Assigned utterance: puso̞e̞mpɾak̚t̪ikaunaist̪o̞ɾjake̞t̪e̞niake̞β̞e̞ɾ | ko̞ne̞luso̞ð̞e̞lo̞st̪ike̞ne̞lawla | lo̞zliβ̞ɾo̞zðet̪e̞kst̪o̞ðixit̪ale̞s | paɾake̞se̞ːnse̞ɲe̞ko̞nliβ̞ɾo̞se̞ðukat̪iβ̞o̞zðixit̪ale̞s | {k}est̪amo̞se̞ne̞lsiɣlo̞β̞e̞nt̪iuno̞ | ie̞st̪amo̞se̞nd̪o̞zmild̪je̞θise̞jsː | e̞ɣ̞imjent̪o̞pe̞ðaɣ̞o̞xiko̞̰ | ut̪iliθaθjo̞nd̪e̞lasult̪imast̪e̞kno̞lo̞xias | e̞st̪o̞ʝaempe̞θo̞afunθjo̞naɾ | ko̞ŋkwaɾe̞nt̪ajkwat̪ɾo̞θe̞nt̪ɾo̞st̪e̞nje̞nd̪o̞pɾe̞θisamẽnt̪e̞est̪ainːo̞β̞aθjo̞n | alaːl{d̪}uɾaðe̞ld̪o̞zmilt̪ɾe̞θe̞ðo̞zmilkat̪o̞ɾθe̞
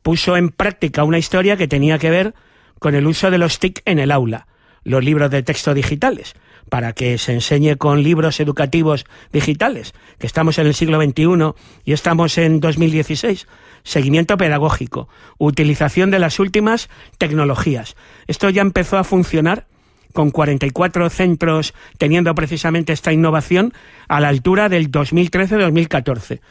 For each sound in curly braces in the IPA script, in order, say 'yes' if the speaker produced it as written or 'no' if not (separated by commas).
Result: yes, no